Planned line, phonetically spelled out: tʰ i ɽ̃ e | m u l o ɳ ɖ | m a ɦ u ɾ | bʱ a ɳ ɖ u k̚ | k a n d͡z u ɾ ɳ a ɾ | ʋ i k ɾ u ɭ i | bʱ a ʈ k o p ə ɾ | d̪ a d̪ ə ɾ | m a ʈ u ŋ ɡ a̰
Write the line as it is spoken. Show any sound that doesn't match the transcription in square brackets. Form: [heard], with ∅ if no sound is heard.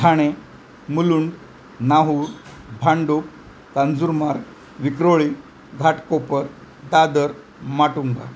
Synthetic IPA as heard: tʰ [a] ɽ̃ e | m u l [u] ɳ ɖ | [n] a ɦ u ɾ | bʱ a ɳ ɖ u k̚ | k a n d͡z u ɾ [m] a ɾ | ʋ i k ɾ [o] ɭ i | [ɡʱ] a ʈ k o p ə ɾ | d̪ a d̪ ə ɾ | m a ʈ u ŋ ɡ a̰